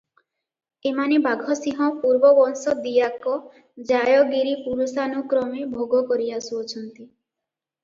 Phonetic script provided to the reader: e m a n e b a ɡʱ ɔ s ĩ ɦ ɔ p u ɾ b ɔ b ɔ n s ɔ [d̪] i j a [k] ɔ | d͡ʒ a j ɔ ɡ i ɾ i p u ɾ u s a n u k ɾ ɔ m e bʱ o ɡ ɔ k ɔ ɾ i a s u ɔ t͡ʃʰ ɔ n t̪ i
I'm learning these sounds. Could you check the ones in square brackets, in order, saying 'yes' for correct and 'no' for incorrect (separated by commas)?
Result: yes, yes